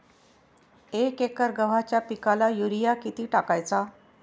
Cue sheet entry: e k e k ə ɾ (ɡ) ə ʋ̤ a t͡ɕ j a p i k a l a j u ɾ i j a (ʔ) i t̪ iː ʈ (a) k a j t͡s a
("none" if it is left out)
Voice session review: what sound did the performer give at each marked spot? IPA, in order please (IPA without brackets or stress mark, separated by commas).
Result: ɡ, k, a